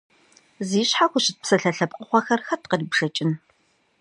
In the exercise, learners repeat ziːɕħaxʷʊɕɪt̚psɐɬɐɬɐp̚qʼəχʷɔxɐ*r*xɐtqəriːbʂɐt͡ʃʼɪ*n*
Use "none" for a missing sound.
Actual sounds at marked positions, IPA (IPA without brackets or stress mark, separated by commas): r, n